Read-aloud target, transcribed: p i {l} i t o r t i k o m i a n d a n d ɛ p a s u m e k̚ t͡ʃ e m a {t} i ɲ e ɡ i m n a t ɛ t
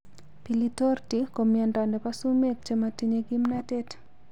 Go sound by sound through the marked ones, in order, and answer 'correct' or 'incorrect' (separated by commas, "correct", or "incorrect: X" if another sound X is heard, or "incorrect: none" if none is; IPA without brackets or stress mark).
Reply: correct, correct